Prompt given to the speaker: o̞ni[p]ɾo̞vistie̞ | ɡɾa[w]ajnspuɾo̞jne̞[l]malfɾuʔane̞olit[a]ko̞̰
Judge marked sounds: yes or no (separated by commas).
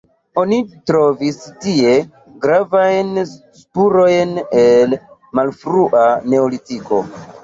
no, no, yes, no